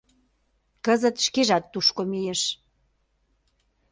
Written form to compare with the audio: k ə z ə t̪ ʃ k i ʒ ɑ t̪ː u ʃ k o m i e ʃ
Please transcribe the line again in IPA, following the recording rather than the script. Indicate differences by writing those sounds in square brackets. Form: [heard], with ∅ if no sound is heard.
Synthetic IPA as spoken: k ə z ə t̪ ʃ k [e] ʒ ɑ t̪ː u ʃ k o m i e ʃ